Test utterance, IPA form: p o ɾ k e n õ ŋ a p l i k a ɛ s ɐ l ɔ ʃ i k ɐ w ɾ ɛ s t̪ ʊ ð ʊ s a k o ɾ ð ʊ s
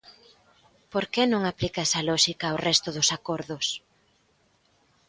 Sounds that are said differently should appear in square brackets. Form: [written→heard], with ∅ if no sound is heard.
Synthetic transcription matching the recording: p o ɾ k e n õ ŋ a p l i k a ɛ s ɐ l ɔ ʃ i k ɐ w [ɾ→r] ɛ s t̪ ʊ ð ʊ s a k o ɾ ð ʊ s